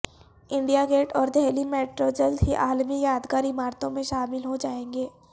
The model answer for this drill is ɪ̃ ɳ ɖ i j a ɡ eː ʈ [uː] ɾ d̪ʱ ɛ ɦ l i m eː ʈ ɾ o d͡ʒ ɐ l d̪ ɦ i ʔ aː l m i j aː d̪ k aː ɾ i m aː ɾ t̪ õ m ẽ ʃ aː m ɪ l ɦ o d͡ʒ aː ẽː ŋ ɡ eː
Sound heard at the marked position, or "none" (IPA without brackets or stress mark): ɔː